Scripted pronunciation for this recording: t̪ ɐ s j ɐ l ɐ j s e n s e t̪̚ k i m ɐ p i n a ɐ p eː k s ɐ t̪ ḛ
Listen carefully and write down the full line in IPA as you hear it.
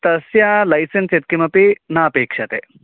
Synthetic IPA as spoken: t̪ ɐ s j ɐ l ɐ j s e n s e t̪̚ k i m ɐ p i n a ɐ p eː k ʂ ɐ t̪ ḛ